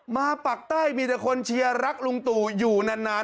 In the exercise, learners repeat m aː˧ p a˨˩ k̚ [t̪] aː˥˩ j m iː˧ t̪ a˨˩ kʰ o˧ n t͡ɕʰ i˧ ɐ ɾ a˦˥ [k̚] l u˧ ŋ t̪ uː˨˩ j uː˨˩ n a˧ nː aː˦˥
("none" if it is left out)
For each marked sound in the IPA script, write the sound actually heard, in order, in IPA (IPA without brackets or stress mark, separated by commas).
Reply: t̪, k̚